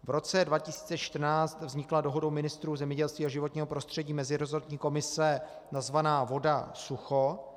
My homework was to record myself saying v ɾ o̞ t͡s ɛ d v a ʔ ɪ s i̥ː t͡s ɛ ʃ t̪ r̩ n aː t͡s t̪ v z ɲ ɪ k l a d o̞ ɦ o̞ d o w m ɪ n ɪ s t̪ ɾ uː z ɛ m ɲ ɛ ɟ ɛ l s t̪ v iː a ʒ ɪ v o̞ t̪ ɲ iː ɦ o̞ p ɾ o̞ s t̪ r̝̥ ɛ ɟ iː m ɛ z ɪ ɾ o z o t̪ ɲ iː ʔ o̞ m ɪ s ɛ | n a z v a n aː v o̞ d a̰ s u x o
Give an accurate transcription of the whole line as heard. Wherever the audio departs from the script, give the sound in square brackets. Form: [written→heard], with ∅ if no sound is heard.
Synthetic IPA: v ɾ o̞ t͡s ɛ d v a [ʔ→c] ɪ s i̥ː t͡s ɛ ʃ t̪ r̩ n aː t͡s t̪ v z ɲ ɪ k l a d o̞ ɦ o̞ d o w m ɪ n ɪ s t̪ ɾ uː z ɛ m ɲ ɛ ɟ ɛ l s t̪ v iː a ʒ ɪ v o̞ t̪ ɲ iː ɦ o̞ p ɾ o̞ s t̪ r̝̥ ɛ ɟ iː m ɛ z ɪ ɾ o z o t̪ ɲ iː [ʔ→k] o̞ m ɪ s ɛ | n a z v a n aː v o̞ d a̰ s u x o